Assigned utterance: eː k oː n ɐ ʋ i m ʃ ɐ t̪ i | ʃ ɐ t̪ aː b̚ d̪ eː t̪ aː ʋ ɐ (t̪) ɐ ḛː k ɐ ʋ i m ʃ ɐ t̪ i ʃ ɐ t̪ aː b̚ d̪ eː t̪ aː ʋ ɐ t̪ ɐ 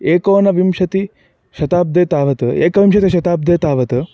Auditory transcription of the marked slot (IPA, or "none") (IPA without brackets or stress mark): t̪